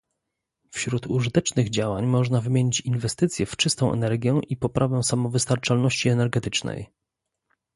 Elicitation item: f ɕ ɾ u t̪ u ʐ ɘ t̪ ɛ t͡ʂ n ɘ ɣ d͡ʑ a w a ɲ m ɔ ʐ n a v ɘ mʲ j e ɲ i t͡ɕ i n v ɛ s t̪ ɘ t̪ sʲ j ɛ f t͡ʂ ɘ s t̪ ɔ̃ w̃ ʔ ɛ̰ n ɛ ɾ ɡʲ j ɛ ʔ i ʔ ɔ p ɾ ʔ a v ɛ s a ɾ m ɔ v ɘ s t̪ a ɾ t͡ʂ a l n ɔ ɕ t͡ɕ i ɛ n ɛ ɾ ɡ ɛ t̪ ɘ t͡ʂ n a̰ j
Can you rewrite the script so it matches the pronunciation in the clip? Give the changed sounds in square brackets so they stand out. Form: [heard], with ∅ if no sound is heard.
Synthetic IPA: f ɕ ɾ u t̪ u ʐ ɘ t̪ ɛ t͡ʂ n ɘ ɣ d͡ʑ a w a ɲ m ɔ ʐ n a v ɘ mʲ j e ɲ i t͡ɕ i n v ɛ s t̪ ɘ t̪ sʲ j ɛ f t͡ʂ ɘ s t̪ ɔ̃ w̃ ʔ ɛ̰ n ɛ ɾ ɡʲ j ɛ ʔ i [p] ɔ p ɾ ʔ a v ɛ s a [∅] m ɔ v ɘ s t̪ a ɾ t͡ʂ a l n ɔ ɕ t͡ɕ i ɛ n ɛ ɾ ɡ ɛ t̪ ɘ t͡ʂ n [ɛ̰] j